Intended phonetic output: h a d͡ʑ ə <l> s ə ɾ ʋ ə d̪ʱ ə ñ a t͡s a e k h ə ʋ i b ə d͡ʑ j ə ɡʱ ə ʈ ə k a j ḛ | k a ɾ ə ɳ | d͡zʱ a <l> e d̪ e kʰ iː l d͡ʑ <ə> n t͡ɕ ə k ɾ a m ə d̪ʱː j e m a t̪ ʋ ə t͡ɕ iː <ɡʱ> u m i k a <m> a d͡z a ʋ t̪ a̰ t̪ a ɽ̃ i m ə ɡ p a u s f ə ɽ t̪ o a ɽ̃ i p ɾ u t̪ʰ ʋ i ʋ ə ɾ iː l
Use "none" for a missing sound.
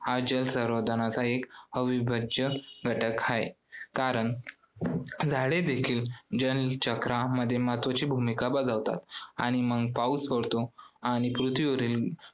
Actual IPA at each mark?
l, ɽ, ə, bʱ, b

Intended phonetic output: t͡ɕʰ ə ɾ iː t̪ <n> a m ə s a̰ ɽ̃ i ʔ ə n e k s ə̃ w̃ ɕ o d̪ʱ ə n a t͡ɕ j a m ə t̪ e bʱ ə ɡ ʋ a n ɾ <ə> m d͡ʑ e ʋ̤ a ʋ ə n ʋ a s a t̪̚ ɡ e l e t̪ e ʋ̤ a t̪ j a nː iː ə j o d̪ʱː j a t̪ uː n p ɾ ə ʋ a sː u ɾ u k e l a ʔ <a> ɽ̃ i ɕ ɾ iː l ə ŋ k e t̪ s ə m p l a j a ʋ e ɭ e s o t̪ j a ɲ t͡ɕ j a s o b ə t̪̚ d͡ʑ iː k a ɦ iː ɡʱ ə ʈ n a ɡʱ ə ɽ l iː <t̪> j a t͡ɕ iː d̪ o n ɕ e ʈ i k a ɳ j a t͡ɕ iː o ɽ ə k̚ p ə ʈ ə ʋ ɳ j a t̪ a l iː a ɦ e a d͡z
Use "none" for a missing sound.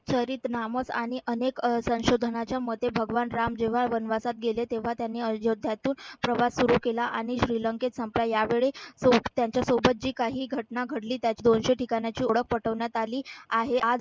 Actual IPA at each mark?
n, a, a, t̪

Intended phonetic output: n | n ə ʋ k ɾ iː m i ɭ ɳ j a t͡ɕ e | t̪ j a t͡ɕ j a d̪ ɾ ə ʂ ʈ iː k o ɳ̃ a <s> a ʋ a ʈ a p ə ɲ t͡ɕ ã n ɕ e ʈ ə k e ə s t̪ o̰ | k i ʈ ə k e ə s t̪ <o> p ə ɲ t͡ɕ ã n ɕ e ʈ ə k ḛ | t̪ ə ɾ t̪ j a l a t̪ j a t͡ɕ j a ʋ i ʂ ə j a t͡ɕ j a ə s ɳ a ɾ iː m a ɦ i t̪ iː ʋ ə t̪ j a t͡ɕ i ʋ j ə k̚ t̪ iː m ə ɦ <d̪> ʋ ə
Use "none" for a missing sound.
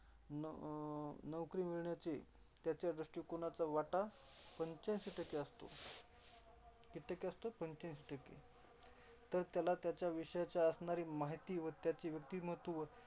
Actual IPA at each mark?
t͡s, o, t̪

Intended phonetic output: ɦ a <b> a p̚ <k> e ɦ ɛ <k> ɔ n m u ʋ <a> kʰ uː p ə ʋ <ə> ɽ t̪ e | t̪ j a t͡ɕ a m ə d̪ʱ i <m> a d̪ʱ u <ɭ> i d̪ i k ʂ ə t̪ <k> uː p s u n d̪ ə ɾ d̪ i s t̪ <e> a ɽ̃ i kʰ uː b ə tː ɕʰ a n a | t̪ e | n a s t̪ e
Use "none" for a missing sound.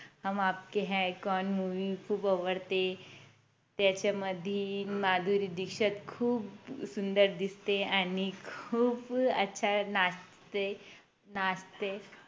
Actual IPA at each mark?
m, k, k, i, ə, m, ɾ, kʰ, e

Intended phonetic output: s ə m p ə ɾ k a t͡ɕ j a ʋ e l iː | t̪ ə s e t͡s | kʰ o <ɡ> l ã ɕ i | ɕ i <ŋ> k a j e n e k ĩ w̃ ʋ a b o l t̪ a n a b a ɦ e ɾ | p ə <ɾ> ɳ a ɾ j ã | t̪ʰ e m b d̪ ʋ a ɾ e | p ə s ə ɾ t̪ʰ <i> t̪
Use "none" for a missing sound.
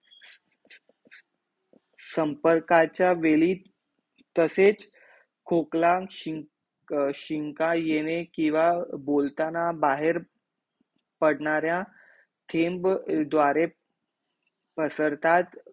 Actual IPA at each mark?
k, ŋ, ɽ, a

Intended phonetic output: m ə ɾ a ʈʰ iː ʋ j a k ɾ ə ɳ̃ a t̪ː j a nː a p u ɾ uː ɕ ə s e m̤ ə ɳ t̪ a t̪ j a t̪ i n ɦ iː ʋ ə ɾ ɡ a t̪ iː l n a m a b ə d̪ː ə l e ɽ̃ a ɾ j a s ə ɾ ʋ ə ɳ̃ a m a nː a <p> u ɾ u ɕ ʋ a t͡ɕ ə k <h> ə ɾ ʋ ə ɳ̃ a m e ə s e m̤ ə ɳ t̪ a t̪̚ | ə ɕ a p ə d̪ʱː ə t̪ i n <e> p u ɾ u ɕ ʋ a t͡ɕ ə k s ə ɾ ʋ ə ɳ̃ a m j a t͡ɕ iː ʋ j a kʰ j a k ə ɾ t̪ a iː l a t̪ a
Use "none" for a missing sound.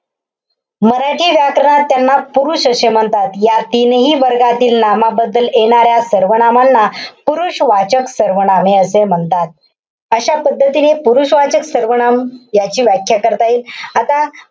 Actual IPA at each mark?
p, s, e

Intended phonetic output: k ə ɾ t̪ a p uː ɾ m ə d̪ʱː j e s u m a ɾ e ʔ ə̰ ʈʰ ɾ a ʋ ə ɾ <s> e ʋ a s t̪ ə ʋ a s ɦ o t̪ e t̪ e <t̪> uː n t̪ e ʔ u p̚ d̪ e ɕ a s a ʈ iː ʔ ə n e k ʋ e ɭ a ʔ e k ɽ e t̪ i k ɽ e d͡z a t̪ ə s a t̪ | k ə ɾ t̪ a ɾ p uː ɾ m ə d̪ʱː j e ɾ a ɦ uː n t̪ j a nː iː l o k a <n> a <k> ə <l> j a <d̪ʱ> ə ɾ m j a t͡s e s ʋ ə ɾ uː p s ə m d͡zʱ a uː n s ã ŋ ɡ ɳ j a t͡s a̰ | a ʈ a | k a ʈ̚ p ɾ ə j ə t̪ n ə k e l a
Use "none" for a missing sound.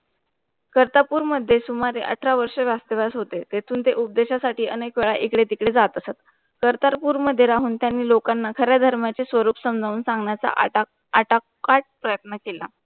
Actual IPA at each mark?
ʂ, t̪ʰ, nː, kʰ, ɾ, d̪ʱ

